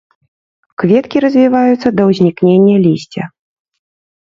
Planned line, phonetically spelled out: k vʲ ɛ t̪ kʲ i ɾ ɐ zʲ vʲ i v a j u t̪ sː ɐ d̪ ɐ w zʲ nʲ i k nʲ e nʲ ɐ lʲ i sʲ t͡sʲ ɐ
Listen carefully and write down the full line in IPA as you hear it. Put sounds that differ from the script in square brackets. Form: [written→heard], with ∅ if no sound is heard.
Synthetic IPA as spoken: k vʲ ɛ t̪ kʲ i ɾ ɐ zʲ vʲ i v a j u t̪ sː ɐ d̪ ɐ w zʲ nʲ i k nʲ e [nʲ→nʲː] ɐ lʲ i sʲ t͡sʲ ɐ